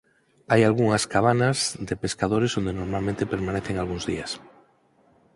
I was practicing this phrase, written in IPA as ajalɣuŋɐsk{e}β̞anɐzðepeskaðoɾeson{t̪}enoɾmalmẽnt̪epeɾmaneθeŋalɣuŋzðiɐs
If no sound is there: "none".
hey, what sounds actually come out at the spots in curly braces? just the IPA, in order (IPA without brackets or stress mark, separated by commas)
a, d̪